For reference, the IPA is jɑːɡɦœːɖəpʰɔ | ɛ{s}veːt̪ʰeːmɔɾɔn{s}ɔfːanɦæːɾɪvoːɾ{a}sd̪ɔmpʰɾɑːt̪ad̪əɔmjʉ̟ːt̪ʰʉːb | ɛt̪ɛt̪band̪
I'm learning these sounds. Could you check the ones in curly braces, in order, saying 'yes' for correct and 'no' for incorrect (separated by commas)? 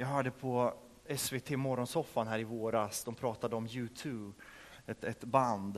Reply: yes, yes, yes